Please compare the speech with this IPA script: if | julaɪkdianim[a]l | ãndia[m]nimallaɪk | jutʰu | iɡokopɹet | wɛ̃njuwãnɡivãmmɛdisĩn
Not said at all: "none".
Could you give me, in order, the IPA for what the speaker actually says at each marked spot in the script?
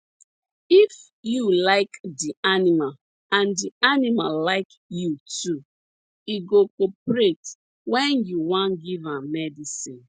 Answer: a, none

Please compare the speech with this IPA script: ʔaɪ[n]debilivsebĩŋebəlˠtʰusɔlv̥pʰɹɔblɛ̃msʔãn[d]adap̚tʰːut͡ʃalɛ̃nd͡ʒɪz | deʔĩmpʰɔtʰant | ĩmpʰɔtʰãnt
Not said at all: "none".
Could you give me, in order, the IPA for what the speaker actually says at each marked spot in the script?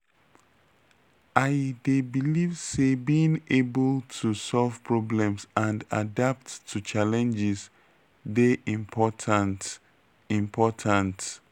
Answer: none, d

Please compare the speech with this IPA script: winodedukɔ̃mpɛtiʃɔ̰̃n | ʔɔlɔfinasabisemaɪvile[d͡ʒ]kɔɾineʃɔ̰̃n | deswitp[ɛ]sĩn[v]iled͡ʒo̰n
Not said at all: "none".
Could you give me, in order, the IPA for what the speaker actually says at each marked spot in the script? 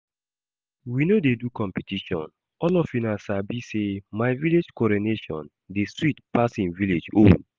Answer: d͡ʒ, a, v

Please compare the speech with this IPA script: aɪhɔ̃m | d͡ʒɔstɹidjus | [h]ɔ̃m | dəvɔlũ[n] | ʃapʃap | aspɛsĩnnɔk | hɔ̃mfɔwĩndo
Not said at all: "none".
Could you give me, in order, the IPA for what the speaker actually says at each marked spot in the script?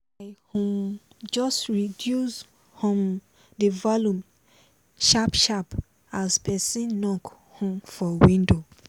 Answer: h, m

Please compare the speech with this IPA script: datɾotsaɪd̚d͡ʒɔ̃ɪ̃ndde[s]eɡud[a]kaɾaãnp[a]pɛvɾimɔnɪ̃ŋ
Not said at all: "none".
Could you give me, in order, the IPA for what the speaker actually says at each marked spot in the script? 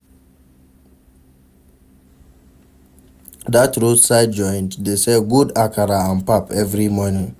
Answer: s, a, a

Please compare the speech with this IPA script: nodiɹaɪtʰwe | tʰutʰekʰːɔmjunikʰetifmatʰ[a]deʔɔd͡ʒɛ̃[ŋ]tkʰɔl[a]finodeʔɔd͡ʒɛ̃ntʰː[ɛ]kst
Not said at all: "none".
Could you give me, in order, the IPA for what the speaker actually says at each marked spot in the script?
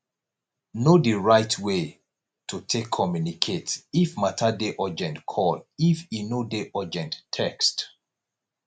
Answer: a, n, i, ɛ

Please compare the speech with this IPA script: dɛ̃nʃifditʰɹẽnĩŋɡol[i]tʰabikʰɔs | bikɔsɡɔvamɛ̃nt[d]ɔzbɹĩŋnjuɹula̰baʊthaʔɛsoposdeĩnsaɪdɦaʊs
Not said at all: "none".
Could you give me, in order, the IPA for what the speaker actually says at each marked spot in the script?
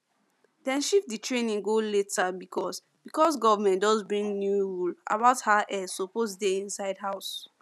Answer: e, d

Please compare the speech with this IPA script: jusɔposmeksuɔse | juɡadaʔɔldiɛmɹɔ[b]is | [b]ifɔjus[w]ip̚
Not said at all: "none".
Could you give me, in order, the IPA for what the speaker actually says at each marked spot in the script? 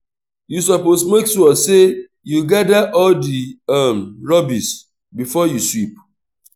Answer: b, b, w

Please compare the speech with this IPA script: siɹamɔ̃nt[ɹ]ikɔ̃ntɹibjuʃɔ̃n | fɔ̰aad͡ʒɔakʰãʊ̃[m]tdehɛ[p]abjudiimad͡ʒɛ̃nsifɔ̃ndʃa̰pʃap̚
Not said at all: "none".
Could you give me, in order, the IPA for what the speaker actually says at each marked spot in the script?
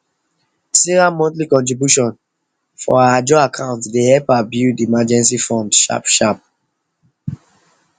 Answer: l, n, p

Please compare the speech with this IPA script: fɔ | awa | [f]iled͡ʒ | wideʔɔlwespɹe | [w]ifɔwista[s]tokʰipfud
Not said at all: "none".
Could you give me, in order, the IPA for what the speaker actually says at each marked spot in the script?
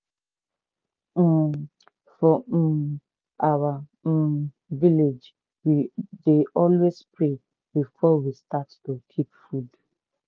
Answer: v, b, t

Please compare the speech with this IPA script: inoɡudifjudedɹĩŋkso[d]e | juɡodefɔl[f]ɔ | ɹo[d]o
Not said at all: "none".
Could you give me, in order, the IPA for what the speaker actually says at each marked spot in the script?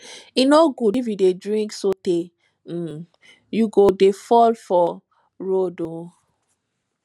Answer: t, f, d

